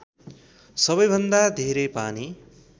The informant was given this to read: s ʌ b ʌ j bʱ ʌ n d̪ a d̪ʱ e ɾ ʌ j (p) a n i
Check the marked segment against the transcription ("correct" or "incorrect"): correct